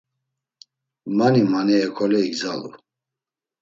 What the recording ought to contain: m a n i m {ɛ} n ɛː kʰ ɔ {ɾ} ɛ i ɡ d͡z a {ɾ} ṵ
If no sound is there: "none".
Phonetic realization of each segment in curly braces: a, l, l

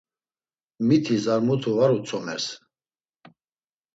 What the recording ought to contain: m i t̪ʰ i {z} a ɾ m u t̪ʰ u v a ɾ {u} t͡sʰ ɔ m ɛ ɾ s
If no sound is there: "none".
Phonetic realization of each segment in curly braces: z, u

